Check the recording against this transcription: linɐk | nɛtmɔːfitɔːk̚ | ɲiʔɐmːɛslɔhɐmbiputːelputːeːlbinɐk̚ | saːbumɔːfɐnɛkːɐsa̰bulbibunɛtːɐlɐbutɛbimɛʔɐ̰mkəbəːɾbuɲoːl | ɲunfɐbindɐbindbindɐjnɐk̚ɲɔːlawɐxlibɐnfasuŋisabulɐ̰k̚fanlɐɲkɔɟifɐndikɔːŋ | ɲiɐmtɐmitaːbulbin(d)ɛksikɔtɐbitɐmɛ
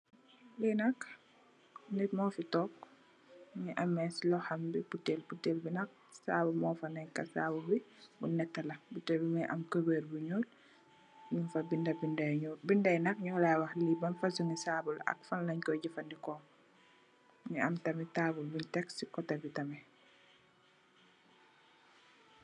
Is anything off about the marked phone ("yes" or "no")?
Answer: yes